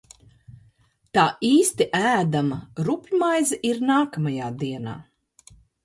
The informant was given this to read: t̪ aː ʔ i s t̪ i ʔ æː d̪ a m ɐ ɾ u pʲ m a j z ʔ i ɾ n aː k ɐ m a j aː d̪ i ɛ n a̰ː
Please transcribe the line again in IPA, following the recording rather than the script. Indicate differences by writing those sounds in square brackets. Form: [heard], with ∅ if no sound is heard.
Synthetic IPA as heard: t̪ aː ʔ [iː] s t̪ i ʔ æː d̪ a m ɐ ɾ u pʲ m a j z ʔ i ɾ n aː k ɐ m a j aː d̪ i ɛ n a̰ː